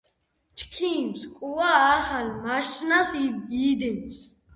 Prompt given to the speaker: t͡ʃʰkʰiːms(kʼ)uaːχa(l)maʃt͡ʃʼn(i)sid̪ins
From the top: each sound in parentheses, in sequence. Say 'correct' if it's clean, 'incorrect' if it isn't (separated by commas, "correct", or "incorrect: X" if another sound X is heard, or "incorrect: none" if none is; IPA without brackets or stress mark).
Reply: correct, correct, incorrect: a